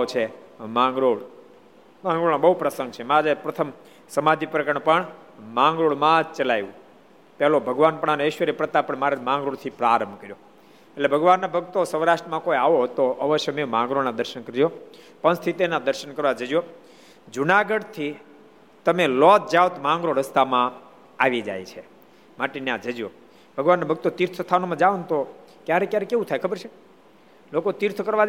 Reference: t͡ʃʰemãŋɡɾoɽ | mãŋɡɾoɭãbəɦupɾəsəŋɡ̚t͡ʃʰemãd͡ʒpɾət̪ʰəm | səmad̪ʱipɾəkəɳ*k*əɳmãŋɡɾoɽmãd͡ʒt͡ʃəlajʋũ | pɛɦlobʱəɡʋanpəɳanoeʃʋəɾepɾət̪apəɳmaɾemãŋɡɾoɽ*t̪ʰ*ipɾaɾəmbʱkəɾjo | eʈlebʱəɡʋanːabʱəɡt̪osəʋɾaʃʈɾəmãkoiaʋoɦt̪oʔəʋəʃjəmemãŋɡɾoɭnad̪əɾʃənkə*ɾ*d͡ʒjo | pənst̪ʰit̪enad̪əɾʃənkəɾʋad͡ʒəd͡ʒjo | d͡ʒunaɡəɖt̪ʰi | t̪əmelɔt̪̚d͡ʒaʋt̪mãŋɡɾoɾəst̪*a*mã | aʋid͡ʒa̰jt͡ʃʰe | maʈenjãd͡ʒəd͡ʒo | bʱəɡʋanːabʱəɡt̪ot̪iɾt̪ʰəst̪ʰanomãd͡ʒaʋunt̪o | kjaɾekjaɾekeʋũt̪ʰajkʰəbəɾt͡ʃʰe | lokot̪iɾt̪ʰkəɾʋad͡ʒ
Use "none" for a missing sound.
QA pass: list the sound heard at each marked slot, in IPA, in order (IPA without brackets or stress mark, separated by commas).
p, t̪ʰ, ɾ, a